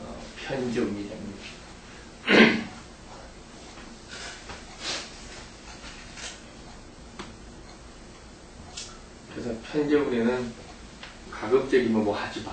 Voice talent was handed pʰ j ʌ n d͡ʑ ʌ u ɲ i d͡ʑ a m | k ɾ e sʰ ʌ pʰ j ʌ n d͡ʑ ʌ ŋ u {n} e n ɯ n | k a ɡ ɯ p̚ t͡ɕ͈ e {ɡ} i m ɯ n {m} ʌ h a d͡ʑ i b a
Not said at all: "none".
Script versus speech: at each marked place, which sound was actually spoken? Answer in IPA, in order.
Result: n, ɡ, m

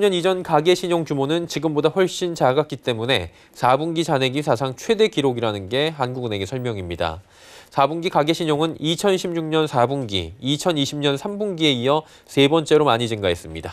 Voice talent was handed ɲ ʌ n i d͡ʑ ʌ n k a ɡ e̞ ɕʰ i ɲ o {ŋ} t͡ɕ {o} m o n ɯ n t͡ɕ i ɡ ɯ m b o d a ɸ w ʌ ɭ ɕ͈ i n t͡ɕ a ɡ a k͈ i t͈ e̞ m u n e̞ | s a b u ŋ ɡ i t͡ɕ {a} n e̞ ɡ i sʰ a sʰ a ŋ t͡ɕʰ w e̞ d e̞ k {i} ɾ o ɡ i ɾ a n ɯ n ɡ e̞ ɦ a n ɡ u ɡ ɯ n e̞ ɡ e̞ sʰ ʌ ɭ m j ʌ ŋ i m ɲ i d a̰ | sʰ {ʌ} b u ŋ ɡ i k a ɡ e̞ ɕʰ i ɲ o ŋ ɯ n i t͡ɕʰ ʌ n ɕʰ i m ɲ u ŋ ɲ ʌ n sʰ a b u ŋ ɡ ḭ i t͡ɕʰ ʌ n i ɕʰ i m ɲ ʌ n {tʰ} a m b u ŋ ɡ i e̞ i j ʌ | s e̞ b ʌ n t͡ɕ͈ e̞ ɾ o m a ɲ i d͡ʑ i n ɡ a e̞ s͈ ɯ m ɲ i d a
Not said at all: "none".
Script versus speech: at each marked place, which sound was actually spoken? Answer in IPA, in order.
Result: ŋ, u, a, i, a, sʰ

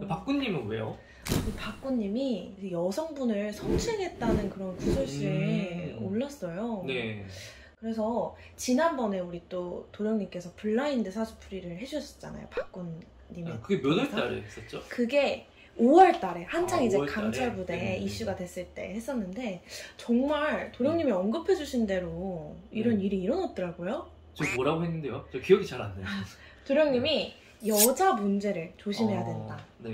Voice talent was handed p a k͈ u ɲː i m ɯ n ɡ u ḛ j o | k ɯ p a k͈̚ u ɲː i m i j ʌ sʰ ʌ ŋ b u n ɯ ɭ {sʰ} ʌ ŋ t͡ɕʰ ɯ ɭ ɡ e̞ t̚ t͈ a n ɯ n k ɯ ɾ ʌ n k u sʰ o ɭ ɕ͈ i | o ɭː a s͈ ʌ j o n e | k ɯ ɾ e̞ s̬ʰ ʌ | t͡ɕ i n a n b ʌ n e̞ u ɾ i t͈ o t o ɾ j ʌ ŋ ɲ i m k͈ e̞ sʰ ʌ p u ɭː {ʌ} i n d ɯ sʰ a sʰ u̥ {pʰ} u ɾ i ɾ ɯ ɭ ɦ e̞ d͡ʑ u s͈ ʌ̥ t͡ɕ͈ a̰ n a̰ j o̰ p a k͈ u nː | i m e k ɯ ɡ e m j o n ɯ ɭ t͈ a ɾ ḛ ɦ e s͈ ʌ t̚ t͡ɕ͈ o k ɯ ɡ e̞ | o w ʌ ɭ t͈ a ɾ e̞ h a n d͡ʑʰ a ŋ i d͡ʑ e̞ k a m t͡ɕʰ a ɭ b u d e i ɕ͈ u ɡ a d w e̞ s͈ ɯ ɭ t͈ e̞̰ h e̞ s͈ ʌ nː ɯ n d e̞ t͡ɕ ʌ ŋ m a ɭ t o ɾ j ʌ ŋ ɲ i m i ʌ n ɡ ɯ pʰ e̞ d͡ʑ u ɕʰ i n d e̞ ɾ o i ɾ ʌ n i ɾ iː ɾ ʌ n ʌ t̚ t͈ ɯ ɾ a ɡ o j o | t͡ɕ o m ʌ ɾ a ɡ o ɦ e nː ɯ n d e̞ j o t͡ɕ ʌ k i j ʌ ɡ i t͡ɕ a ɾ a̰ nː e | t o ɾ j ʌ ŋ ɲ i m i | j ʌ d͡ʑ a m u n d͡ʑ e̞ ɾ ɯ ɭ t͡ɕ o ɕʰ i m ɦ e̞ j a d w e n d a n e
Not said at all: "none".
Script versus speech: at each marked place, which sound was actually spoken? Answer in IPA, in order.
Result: sʰ, a, pʰ

